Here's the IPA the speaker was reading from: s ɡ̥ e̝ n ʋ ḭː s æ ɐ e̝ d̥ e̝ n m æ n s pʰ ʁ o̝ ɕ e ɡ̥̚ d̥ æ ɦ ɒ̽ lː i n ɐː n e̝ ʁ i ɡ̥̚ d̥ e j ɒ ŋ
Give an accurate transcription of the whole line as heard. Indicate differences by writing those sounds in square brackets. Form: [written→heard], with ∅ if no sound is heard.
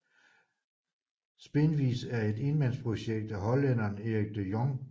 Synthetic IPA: s [ɡ̥→b̥] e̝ n ʋ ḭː s æ ɐ e̝ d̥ e̝ n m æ n s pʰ ʁ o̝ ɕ e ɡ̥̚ d̥ æ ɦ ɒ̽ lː [i→e] n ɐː n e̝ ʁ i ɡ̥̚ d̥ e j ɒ ŋ